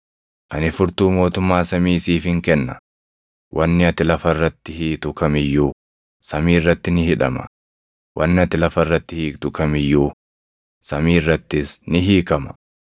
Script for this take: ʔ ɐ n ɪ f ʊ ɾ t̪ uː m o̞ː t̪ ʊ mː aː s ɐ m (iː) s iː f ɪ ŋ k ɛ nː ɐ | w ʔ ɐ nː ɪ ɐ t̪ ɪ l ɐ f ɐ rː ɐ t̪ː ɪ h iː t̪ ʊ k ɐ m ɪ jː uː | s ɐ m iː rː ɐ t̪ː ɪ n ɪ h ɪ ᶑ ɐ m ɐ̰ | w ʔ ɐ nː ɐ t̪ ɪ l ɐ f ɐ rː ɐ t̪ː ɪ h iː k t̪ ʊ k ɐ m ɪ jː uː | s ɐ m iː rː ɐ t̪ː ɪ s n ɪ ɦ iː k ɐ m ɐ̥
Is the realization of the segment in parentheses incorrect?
no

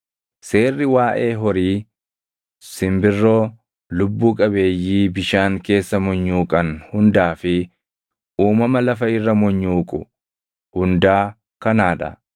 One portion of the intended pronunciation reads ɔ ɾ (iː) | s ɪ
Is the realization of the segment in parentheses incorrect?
no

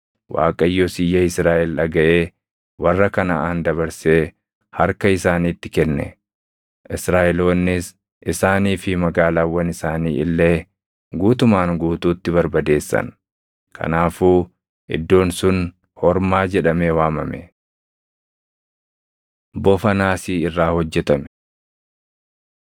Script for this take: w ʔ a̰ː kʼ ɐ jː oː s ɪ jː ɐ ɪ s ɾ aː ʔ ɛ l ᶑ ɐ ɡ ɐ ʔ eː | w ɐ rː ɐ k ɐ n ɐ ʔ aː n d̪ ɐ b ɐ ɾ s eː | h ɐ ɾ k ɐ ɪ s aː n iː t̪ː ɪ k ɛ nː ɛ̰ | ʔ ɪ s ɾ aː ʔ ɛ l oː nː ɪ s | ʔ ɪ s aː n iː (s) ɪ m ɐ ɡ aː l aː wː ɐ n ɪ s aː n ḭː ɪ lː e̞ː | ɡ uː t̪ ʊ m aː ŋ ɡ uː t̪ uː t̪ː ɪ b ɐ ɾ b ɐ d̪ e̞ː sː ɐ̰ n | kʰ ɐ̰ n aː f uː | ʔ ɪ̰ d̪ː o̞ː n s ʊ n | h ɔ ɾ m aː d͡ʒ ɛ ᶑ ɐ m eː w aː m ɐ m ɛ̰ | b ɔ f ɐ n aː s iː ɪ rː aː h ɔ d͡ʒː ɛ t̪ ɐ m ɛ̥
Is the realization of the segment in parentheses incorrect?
yes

